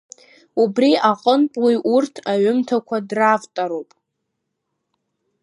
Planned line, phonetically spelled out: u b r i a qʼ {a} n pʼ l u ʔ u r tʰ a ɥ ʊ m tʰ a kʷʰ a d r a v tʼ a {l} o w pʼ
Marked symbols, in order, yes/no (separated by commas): no, no